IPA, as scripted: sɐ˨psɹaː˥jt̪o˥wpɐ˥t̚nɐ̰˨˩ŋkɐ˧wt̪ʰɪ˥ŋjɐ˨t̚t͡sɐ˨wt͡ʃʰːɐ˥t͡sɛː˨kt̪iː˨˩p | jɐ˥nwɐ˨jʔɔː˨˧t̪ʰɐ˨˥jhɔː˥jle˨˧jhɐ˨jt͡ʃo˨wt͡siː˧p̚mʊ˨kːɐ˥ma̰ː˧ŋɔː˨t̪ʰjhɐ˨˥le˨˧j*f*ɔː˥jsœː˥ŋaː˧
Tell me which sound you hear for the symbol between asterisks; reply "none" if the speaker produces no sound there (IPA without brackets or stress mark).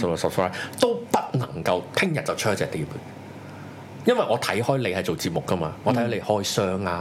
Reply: h